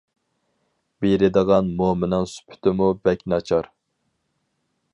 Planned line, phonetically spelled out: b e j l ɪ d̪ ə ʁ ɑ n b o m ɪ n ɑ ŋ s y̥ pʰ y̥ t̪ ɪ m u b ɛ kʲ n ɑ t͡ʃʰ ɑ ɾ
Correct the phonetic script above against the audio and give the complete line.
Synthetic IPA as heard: b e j ɾ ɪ d̪ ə ʁ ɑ n m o m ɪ n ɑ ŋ s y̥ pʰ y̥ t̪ ɪ m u b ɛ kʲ n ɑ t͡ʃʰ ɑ ɾ